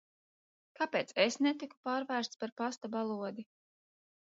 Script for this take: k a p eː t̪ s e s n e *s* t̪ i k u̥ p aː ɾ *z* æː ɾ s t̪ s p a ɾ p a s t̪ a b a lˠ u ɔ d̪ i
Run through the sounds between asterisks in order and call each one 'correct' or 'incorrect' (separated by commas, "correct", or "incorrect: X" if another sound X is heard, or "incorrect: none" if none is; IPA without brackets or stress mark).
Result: incorrect: none, incorrect: v